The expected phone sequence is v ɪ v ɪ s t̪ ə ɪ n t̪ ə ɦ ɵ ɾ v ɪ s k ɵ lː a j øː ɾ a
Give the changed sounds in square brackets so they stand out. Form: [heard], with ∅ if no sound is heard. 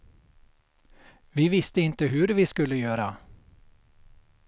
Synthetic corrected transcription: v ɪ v ɪ s t̪ ə ɪ n t̪ ə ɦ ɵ ɾ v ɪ s k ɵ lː [ə] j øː ɾ a